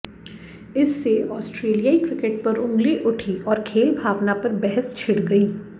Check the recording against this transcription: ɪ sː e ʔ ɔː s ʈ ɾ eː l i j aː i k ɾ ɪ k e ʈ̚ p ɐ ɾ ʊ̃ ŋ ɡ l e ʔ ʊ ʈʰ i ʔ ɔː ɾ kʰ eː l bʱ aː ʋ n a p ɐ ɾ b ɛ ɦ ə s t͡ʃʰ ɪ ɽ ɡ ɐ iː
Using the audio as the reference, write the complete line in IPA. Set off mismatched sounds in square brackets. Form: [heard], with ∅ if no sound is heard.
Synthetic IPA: ɪ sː e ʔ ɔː s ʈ ɾ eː l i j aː i k ɾ ɪ k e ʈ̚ p ɐ ɾ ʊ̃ ŋ ɡ l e ʔ ʊ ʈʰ i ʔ ɔː ɾ kʰ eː l bʱ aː ʋ n a p ɐ ɾ b ɛ ɦ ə s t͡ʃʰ ɪ ɽ ɡ ɐ iː

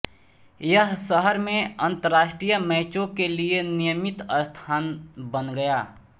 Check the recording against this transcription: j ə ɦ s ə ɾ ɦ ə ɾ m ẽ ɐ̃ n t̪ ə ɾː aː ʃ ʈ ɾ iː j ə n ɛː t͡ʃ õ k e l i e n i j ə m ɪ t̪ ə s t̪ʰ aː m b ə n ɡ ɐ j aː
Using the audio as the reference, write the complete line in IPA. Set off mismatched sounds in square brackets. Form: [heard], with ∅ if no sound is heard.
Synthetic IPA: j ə ɦ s ə [∅] ɦ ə ɾ m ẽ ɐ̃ n t̪ ə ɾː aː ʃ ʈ ɾ [i] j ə [m] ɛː t͡ʃ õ k e l i e n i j ə m ɪ t̪ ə s t̪ʰ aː [n] b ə n ɡ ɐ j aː

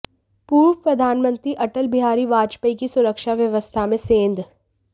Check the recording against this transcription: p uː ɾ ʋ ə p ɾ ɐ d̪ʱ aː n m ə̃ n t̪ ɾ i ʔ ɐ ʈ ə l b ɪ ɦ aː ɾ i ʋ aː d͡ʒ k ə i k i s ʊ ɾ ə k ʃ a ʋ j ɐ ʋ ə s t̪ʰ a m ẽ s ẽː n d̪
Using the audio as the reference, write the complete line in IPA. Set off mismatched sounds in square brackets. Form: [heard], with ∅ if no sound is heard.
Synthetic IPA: p uː ɾ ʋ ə p ɾ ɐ d̪ʱ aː n m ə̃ n t̪ ɾ i ʔ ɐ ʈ ə l b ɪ ɦ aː ɾ i ʋ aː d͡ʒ [p] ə i k i s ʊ ɾ ə k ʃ a ʋ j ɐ ʋ ə s t̪ʰ a m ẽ s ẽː n d̪

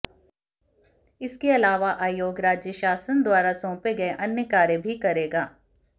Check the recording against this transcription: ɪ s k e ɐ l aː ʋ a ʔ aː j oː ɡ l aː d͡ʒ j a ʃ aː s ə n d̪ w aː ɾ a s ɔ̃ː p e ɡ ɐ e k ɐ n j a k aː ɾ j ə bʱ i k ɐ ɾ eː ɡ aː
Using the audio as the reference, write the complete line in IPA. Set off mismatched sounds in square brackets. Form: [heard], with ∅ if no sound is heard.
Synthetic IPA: ɪ s k e ɐ l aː ʋ a ʔ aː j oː ɡ [ɾ] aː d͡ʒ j [ə] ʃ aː s ə n d̪ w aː ɾ a s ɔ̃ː p e ɡ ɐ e [ʔ] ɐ n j [ə] k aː ɾ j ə bʱ i k ɐ ɾ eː ɡ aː

